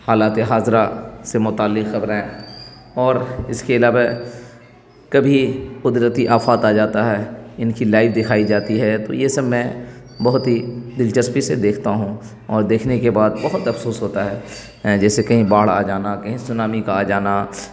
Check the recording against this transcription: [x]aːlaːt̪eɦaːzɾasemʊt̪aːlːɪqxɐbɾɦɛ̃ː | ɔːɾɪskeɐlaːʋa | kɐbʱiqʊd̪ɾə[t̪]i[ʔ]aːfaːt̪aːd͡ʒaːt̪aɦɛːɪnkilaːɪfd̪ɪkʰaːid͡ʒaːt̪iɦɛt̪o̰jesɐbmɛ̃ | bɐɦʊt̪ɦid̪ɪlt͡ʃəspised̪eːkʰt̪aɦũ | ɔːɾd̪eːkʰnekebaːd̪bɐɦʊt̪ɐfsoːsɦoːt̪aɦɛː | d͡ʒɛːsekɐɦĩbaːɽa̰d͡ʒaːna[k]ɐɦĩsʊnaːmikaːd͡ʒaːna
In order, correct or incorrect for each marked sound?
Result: incorrect, correct, correct, correct

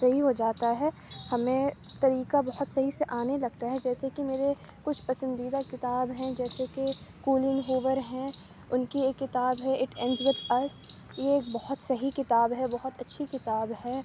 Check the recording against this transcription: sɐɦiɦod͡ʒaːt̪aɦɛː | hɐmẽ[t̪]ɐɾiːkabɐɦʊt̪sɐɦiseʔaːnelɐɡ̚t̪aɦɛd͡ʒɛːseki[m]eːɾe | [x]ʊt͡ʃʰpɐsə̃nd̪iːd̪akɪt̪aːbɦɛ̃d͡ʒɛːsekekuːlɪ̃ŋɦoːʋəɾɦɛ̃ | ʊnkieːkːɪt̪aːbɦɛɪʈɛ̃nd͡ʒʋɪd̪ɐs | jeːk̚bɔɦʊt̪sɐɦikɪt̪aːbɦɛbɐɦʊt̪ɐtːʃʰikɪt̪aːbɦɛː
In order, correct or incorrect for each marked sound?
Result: correct, correct, incorrect

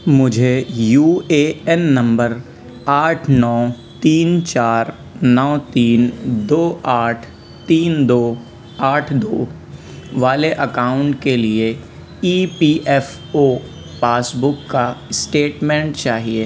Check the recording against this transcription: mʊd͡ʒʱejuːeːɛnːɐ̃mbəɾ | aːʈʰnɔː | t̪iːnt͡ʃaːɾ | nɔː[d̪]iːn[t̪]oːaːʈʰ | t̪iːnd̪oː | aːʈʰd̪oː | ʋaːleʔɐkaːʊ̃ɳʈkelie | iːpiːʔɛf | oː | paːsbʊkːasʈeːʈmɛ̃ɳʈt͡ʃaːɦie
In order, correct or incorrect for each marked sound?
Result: incorrect, incorrect

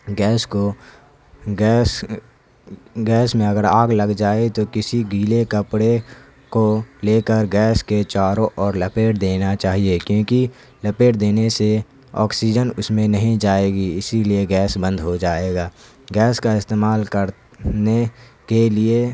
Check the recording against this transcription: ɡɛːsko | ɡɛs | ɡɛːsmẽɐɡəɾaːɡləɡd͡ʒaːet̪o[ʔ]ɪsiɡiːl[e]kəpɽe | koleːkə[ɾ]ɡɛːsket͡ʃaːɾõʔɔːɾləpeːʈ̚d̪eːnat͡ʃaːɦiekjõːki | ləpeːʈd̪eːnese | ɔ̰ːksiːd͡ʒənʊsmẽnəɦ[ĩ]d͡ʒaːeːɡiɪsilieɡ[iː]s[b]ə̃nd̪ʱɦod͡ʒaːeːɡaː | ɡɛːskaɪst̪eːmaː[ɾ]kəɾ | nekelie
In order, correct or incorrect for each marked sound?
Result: incorrect, correct, correct, correct, incorrect, correct, incorrect

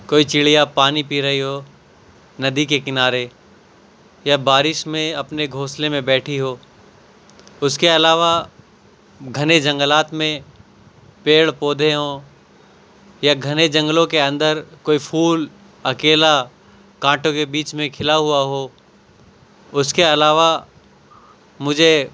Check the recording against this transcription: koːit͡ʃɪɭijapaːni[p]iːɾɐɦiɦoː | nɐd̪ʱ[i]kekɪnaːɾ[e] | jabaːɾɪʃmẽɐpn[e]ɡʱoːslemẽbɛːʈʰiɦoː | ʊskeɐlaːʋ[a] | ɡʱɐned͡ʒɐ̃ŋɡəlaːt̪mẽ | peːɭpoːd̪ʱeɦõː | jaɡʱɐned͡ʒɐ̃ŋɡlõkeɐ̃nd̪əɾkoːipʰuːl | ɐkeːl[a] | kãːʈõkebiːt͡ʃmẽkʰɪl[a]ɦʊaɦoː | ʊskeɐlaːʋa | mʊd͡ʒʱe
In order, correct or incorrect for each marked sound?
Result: correct, correct, correct, correct, correct, correct, correct

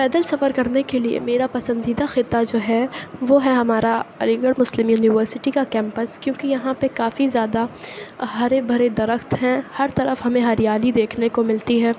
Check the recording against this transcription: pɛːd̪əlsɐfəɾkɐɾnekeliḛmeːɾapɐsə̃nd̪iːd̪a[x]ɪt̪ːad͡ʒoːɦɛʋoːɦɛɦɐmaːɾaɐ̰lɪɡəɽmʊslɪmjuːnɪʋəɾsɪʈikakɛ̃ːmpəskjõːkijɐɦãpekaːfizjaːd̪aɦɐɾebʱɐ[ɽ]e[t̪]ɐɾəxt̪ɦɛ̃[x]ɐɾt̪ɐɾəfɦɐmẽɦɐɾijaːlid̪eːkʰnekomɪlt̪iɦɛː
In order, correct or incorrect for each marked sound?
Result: correct, incorrect, incorrect, incorrect

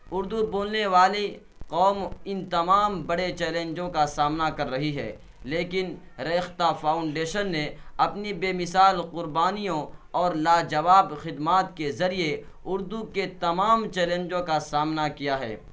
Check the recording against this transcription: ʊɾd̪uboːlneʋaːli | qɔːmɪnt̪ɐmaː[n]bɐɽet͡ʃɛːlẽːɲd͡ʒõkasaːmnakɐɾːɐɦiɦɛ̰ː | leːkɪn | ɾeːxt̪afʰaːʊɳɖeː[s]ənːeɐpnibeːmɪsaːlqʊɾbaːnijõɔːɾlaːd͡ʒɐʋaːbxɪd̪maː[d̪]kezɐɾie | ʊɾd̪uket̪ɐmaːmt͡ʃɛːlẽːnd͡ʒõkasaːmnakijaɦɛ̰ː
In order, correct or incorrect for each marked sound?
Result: incorrect, incorrect, incorrect

